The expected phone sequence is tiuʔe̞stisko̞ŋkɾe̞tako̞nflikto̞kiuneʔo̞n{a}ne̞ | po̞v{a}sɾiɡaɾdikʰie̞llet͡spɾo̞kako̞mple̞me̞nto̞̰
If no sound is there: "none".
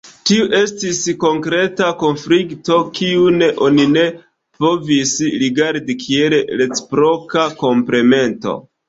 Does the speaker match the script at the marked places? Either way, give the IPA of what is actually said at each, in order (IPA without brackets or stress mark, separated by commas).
i, i